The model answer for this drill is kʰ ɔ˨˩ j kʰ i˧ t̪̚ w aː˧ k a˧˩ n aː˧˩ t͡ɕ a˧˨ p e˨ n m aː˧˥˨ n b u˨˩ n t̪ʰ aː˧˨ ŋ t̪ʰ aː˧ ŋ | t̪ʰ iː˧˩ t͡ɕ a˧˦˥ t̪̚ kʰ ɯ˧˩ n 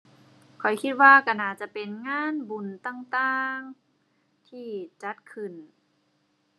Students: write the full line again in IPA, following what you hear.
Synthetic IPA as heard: kʰ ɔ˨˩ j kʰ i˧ t̪̚ w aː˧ k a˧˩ n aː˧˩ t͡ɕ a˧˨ p e˨ n ŋ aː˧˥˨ n b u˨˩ n t̪ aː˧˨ ŋ t̪ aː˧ ŋ | t̪ʰ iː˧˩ t͡ɕ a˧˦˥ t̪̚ kʰ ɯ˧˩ n